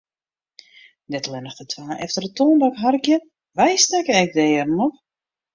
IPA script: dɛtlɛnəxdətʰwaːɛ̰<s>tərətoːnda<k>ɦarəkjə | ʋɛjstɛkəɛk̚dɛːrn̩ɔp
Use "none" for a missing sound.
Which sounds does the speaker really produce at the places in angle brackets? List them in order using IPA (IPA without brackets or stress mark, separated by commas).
f, k